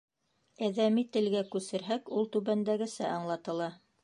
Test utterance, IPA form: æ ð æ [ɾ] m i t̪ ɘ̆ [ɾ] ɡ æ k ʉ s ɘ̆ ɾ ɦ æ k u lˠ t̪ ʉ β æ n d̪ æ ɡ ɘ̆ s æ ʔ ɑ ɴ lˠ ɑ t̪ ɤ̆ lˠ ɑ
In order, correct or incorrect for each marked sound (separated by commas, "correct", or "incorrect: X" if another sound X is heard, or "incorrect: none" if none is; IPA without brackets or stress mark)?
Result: incorrect: none, incorrect: l